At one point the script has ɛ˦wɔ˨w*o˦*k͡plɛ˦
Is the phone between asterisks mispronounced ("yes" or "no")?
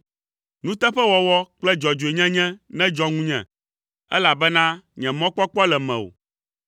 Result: yes